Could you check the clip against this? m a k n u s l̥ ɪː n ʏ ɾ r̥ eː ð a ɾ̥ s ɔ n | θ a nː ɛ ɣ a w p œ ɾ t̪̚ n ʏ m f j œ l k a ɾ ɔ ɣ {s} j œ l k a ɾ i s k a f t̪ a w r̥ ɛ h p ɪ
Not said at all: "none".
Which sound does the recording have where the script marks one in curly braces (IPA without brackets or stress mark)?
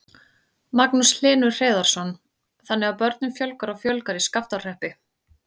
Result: f